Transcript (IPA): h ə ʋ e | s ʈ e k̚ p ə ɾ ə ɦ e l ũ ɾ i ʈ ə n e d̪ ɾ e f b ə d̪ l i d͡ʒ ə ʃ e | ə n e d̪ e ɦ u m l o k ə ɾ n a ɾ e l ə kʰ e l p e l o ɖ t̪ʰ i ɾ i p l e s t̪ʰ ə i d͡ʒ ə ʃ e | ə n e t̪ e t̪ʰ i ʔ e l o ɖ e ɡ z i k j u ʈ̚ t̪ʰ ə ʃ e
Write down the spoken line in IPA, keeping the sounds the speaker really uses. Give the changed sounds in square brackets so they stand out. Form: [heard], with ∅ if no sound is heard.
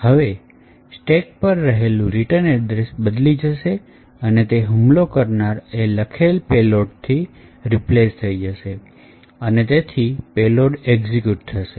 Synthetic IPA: h ə ʋ e | s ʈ e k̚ p ə [ɾː] ə ɦ e l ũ ɾ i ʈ ə n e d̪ ɾ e [s] b ə d̪ l i d͡ʒ ə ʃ e | ə n e [t̪] e ɦ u m l o k ə ɾ n a ɾ e l ə kʰ e l p e l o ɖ t̪ʰ i ɾ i p l e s t̪ʰ ə i d͡ʒ ə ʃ e | ə n e t̪ e t̪ʰ i [p] e l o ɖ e ɡ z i k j u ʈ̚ t̪ʰ ə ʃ e

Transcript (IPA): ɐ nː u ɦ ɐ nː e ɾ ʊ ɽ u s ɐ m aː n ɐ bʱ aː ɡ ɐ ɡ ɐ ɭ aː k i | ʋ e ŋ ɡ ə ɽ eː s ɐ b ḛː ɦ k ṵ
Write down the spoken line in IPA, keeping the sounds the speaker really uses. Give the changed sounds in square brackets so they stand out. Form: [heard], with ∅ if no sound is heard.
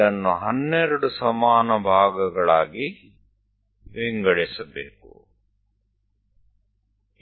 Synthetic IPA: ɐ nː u ɦ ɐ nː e ɾ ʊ ɽ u s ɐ m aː n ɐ bʱ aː ɡ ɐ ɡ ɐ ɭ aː [ɡ] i | ʋ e ŋ ɡ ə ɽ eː s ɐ b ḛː [∅] k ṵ

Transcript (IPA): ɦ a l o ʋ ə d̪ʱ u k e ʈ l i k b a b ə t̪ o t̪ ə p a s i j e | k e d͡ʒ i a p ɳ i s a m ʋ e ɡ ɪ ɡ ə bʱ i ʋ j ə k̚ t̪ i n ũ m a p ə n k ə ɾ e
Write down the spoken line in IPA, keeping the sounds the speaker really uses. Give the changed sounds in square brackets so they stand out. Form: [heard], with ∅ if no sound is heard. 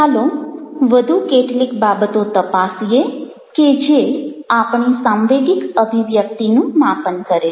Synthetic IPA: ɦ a l o ʋ ə d̪ʱ u k e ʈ l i k b a b ə t̪ o t̪ ə p a s i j e | k e d͡ʒ [e] a p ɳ i s a m ʋ e ɡ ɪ [k] ə bʱ i ʋ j ə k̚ t̪ i n ũ m a p ə n k ə ɾ e

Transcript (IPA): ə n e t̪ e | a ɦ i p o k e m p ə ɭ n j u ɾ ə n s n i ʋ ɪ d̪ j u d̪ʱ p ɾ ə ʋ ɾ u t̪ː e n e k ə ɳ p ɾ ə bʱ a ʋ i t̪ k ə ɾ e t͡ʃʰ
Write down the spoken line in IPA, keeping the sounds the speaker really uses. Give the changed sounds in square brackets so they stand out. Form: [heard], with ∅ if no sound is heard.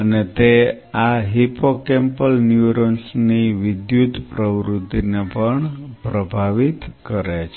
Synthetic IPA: ə n e t̪ e | a ɦ i p o k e m p ə [l] n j u ɾ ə n s n i ʋ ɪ d̪ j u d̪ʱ p ɾ ə ʋ ɾ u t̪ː [i] n e [p] ə ɳ p ɾ ə bʱ a ʋ i t̪ k ə ɾ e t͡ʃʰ

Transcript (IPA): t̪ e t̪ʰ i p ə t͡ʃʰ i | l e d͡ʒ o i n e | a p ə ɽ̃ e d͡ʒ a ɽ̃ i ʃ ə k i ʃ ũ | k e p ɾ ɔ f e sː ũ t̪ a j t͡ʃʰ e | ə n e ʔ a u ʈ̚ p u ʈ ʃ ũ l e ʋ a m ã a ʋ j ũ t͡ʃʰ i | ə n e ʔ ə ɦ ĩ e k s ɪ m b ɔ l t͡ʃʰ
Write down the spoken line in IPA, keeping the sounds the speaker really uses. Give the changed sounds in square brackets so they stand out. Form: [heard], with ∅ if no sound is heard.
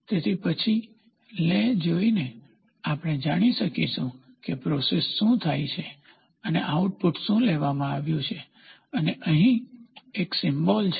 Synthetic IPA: t̪ e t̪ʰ i p ə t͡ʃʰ i | l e d͡ʒ o i n e | a p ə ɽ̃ e d͡ʒ a ɽ̃ i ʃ ə k i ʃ ũ | k e p ɾ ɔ [s] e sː ũ [t̪ʰ] a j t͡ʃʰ e | ə n e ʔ a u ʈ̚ p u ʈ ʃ ũ l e ʋ a m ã a ʋ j ũ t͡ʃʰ [e] | ə n e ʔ ə ɦ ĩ e k s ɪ m b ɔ l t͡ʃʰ

